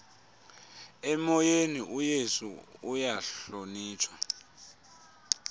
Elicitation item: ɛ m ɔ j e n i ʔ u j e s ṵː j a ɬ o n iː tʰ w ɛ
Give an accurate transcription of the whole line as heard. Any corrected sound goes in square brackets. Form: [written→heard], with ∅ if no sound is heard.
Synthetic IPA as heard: ɛ m ɔ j e n i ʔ u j e s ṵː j a ɬ o n iː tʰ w [ɛ→a]